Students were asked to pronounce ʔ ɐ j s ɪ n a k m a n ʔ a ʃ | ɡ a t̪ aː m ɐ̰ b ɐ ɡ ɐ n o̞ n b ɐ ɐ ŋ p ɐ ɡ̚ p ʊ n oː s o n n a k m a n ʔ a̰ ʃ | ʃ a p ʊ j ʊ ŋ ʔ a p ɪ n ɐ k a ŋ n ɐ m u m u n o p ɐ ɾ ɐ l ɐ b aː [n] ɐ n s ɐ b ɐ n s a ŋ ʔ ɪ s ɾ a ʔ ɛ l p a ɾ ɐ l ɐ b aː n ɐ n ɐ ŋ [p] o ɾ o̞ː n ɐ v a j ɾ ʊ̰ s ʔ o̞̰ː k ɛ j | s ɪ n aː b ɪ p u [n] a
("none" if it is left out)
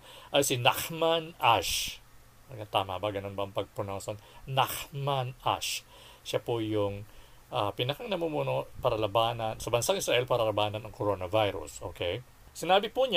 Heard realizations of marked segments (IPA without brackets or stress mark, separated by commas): n, k, ɲ